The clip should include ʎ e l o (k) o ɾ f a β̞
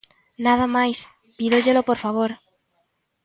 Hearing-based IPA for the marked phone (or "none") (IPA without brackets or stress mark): p